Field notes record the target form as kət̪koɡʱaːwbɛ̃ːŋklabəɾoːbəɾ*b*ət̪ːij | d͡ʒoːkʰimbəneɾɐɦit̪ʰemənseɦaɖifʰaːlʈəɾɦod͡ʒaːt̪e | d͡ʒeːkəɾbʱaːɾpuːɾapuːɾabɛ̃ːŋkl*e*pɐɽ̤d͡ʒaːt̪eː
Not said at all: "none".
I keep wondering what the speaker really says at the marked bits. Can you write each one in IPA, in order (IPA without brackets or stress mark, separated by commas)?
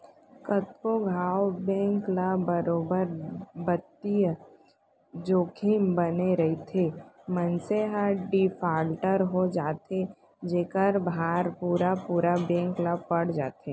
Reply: b, a